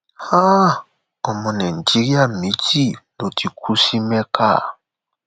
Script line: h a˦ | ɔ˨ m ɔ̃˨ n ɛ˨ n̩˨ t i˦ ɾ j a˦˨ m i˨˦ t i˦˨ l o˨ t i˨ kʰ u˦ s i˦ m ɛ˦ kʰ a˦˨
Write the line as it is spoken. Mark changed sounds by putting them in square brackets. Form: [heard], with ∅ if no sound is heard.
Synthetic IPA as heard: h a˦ | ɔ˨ m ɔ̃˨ n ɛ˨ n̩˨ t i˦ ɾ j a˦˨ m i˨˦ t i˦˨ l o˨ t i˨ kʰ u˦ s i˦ m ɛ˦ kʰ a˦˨